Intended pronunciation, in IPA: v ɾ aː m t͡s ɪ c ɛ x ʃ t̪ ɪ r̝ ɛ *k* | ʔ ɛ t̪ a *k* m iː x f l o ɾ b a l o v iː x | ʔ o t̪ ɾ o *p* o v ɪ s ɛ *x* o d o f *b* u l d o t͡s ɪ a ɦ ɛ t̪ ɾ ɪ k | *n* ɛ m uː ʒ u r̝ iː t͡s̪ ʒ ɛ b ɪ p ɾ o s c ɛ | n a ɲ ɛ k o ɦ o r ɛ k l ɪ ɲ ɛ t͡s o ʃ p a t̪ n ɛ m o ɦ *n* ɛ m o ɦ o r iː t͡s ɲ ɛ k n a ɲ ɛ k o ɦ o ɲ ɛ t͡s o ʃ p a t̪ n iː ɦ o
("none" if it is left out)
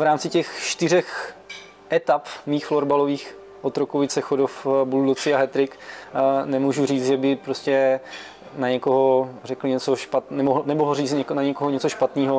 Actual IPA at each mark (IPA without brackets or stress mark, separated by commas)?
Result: x, p, k, x, b, n, n